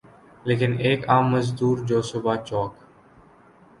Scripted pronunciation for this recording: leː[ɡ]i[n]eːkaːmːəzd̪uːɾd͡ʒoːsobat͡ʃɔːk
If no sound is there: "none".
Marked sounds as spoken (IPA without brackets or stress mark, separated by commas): k, n